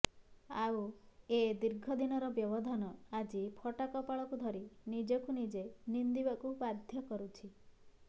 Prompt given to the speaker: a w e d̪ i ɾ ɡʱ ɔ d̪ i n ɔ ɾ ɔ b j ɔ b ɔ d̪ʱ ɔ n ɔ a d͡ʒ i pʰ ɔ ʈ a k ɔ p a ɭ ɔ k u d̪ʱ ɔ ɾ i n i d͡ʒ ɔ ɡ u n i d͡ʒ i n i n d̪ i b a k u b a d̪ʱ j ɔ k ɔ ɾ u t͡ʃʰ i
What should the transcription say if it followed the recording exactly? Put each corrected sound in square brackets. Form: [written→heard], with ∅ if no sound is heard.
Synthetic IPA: a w e d̪ i ɾ ɡʱ ɔ d̪ i n ɔ ɾ ɔ b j ɔ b ɔ d̪ʱ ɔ n ɔ a d͡ʒ i pʰ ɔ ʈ a k ɔ p a ɭ ɔ k u d̪ʱ ɔ ɾ i n i d͡ʒ ɔ [ɡ→k] u n i d͡ʒ [i→e] n i n d̪ i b a k u b a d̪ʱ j ɔ k ɔ ɾ u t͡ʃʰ i